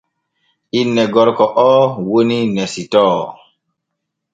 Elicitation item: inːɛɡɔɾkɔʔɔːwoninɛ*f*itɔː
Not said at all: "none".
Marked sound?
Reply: s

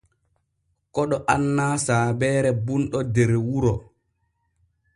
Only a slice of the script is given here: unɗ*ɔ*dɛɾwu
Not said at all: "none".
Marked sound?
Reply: ɔ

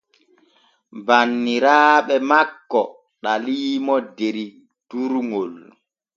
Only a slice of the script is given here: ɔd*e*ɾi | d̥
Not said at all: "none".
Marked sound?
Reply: e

